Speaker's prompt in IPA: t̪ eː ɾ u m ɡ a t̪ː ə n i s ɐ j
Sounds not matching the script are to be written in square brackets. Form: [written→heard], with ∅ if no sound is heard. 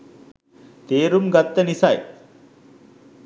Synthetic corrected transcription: t̪ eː ɾ u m ɡ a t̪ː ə n i s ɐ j

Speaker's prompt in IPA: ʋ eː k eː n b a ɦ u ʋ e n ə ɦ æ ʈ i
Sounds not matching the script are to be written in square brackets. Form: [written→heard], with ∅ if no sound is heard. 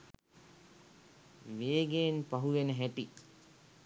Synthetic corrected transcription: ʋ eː [k→ɡ] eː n [b→p] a ɦ u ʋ e n ə ɦ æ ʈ i

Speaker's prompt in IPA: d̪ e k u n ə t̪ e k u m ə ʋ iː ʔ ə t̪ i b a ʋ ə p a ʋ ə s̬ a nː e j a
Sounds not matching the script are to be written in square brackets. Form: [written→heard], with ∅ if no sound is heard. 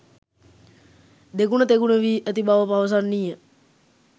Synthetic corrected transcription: d̪ e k u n ə t̪ e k u [m→n] ə ʋ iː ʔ ə t̪ i b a ʋ ə p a ʋ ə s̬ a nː [e→i] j [a→ə]

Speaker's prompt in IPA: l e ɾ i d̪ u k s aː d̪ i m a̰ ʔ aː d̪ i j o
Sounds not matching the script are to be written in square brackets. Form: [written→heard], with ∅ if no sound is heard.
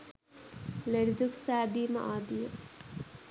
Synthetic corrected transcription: l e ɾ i d̪ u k s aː d̪ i m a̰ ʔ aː d̪ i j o

